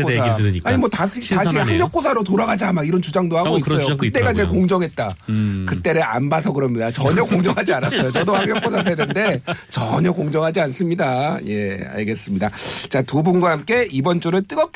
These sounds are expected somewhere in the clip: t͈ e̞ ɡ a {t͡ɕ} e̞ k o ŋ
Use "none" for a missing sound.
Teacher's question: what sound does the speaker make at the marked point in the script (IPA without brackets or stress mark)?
t͡ɕ